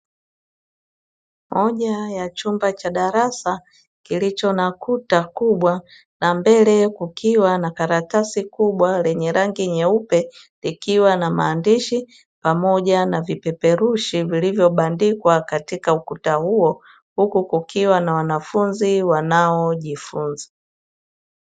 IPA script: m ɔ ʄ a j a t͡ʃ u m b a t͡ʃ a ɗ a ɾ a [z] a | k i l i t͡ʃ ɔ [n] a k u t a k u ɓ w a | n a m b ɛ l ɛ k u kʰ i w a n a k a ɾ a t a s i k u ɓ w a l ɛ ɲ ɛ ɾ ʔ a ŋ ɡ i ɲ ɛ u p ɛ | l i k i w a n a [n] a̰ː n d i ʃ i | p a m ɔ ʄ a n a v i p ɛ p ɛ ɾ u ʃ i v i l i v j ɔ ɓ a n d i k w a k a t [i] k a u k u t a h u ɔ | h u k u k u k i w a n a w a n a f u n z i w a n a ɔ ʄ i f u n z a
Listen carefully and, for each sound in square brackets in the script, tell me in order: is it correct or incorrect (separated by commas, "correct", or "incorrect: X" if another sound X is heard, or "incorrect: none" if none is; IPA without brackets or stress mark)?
incorrect: s, correct, incorrect: m, correct